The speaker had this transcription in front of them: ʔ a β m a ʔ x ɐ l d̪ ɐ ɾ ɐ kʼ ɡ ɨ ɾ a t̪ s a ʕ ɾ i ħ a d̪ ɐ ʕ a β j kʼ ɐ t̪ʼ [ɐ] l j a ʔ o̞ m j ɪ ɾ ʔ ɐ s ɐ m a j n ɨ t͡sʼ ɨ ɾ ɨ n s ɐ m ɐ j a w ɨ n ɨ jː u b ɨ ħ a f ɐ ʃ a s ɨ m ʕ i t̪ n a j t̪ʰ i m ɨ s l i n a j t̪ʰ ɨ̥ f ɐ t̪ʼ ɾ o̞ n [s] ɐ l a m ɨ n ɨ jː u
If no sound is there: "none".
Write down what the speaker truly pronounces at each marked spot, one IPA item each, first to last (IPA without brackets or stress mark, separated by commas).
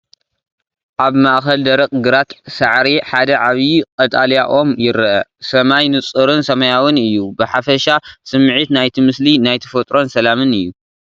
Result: a, s